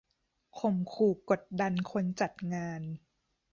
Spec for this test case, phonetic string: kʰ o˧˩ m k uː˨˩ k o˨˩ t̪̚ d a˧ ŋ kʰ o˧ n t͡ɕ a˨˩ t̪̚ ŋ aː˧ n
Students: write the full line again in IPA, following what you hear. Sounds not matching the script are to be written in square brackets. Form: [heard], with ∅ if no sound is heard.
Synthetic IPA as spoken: kʰ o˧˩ m [kʰ] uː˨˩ k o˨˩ t̪̚ d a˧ [n] kʰ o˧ n t͡ɕ a˨˩ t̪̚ ŋ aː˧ n